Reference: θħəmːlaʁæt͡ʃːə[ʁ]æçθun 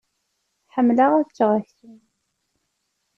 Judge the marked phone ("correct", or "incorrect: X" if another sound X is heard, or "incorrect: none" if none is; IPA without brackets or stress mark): correct